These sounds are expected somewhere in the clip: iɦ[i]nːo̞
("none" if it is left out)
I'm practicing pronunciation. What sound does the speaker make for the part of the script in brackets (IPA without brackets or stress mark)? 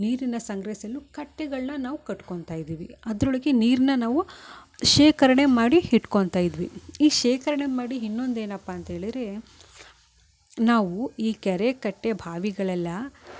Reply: i